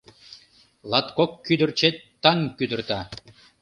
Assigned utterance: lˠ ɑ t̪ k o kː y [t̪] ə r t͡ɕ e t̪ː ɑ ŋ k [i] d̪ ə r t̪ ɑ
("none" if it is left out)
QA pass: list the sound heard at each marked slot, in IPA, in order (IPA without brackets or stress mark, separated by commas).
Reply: d̪, y